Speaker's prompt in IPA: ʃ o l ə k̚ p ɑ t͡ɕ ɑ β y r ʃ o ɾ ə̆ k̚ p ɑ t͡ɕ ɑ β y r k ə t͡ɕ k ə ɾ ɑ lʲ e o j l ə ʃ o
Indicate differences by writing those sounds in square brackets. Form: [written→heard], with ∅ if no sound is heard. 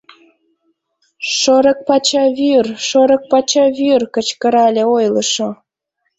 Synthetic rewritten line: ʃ o [l→ɾ] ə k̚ p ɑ t͡ɕ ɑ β y r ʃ o ɾ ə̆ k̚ p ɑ t͡ɕ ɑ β y r k ə t͡ɕ k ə ɾ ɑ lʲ e o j l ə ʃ o

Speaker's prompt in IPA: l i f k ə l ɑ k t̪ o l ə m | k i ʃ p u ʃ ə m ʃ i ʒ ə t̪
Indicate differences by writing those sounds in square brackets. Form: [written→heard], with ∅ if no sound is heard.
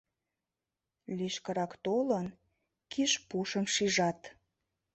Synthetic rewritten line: l i [f→ʃ] k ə [l→ɾ] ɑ k t̪ o l ə [m→n] | k i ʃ p u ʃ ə m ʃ i ʒ [ə→ɑ] t̪

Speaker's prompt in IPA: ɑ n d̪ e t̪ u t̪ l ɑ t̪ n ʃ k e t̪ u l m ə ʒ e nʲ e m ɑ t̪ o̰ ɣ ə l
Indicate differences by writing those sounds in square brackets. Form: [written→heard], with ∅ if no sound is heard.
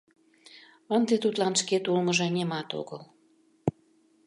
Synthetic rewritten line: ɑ n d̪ e t̪ u t̪ l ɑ [t̪→∅] n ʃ k e t̪ u l m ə ʒ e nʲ e m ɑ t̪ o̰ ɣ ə l

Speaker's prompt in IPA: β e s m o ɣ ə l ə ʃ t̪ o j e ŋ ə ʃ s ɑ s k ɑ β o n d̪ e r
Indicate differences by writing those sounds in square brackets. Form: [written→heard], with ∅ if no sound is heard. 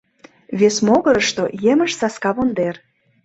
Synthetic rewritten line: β e s m o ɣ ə [l→ɾ] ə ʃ t̪ o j e [ŋ→m] ə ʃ s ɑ s k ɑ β o n d̪ e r

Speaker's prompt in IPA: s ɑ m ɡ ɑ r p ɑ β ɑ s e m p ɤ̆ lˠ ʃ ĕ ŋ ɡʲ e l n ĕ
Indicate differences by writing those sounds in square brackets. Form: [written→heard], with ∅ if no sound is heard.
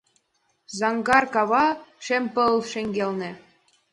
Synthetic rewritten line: [s→z] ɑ [m→ŋ] ɡ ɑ r [p→k] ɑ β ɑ [s→ʃ] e m p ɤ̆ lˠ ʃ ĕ ŋ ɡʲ e l n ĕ

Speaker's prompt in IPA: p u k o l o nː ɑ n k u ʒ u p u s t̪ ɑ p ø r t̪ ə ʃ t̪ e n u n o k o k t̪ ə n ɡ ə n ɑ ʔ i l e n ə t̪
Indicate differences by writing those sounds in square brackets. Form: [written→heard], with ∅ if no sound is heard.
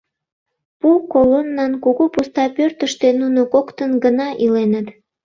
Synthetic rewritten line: p u k o l o nː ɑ n k u [ʒ→ɣ] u p u s t̪ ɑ p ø r t̪ ə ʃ t̪ e n u n o k o k t̪ ə n ɡ ə n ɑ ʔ i l e n ə t̪

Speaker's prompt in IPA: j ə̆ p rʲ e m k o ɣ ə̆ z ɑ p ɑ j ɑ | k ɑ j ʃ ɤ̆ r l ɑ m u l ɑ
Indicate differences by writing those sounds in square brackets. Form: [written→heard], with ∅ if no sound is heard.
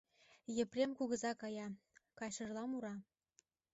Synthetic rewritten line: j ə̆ p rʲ e m k [o→u] ɣ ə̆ z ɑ [p→k] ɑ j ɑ | k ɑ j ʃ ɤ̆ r l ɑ m u [l→ɾ] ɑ

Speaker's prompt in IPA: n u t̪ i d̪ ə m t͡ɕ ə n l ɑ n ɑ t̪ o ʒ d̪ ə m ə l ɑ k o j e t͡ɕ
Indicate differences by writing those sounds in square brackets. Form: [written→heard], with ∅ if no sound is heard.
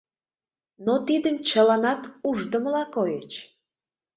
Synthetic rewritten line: n [u→o] t̪ i d̪ ə m t͡ɕ ə [n→∅] l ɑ n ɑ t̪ [o→u] ʒ d̪ ə m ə l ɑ k o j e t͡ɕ

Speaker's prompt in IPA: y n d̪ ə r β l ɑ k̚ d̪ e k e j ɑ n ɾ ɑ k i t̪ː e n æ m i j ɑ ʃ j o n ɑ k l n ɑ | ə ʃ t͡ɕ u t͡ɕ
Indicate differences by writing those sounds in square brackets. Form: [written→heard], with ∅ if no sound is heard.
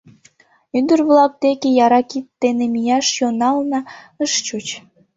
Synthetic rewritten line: y n d̪ ə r β l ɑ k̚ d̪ e k e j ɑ [n→∅] ɾ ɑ k i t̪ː e n [æ→e] m i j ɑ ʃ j o n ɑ [k→∅] l n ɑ | ə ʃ t͡ɕ u t͡ɕ

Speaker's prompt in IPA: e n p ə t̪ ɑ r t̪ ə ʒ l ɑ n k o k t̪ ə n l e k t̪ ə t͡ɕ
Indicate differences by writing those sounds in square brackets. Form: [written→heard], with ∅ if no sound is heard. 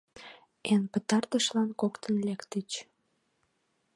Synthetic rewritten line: e n p ə t̪ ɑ r t̪ ə [ʒ→ʃ] l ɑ n k o k t̪ ə n l e k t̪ ə t͡ɕ

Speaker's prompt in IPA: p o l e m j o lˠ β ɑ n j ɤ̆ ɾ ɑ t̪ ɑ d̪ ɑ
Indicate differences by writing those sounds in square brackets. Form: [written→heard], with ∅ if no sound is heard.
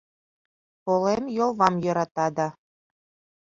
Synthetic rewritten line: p o l e m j o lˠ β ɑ [n→m] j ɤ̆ ɾ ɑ t̪ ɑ d̪ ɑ

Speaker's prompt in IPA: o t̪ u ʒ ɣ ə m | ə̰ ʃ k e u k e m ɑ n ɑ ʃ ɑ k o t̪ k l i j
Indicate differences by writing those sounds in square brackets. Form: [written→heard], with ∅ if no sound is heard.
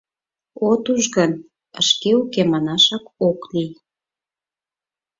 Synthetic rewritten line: o t̪ u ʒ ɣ ə [m→n] | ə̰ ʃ k e u k e m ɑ n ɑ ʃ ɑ k o [t̪→∅] k l i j

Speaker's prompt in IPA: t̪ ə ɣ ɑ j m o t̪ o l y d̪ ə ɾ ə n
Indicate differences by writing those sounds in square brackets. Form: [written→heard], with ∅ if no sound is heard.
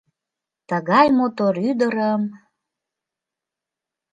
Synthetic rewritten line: t̪ ə ɣ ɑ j m o t̪ o [l→ɾ] y d̪ ə ɾ ə [n→m]

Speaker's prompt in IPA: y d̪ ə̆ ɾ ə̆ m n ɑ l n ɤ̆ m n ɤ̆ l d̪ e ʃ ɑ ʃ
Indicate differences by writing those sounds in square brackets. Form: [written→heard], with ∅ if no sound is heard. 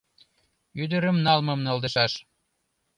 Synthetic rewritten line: y d̪ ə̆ ɾ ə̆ m n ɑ l [n→m] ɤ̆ m n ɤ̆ l d̪ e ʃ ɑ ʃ

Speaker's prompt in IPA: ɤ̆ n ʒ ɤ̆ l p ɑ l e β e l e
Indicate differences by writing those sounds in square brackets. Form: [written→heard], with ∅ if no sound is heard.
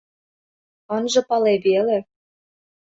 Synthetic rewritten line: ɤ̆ n ʒ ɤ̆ [l→∅] p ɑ l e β e l e

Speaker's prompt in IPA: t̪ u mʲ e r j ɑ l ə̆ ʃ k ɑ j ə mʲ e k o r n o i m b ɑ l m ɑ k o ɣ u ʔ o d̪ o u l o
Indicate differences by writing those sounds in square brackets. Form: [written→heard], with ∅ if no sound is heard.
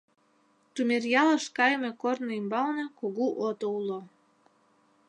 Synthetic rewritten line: t̪ u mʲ e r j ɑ l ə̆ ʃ k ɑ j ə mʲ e k o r n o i m b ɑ l [m→n] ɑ k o ɣ u ʔ o [d̪→t̪] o u l o

